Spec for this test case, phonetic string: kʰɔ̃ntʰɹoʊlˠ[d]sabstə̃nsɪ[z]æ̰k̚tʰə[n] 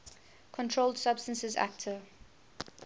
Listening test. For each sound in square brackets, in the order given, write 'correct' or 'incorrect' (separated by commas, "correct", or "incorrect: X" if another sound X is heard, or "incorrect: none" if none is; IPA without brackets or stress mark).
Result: correct, correct, incorrect: none